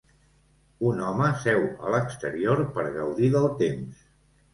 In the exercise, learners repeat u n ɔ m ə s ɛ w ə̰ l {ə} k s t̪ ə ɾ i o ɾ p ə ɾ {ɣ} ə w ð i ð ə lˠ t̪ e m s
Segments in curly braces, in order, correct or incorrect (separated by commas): correct, correct